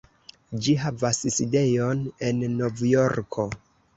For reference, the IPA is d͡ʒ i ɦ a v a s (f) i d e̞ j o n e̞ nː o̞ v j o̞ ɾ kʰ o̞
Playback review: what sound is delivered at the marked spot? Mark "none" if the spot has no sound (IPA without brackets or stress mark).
s